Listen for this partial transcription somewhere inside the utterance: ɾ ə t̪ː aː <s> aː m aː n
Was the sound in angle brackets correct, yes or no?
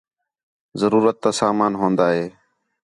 yes